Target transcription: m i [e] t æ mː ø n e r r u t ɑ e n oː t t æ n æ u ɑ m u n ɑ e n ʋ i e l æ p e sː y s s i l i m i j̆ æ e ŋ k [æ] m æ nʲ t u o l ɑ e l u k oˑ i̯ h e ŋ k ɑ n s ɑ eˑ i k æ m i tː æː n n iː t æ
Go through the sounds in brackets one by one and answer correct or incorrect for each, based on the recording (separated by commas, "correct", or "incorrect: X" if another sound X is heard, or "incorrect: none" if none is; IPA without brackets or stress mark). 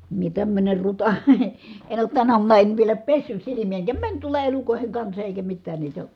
correct, correct